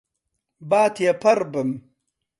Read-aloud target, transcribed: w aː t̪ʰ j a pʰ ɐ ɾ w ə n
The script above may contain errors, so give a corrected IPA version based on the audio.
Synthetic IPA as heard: b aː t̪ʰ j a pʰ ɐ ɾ b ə m

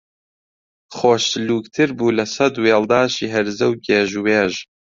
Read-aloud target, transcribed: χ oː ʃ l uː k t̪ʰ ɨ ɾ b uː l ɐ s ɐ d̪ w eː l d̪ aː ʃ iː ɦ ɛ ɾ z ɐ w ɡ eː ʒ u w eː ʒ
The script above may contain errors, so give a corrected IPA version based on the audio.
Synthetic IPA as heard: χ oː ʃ l uː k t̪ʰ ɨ ɾ b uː l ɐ s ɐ d̪ w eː l d̪ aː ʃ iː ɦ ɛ ɾ z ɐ w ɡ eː ʒ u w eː ʒ

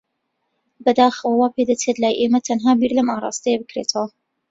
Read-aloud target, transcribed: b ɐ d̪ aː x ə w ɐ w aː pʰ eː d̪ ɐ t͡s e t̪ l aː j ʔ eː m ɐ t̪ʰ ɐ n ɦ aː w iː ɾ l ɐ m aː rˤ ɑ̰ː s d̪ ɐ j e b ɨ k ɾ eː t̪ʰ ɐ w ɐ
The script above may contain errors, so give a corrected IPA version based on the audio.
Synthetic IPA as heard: b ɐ d̪ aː x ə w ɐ w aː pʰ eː d̪ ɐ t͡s e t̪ l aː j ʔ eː m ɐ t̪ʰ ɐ n ɦ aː b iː ɾ l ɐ m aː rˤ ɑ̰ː s t̪ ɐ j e b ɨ k ɾ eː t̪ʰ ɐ w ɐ

